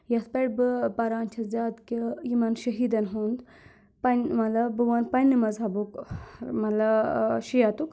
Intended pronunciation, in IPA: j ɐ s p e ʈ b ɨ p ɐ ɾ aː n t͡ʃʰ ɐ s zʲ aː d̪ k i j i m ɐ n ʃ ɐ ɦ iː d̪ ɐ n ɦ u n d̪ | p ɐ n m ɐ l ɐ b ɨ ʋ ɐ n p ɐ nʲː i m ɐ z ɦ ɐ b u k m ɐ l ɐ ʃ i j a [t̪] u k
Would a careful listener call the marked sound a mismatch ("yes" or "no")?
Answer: no